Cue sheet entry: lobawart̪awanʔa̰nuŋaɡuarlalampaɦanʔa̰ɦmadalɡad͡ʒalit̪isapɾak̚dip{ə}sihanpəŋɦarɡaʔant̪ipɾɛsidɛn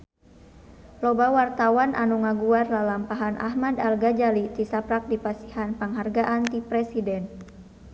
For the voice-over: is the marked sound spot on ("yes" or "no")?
no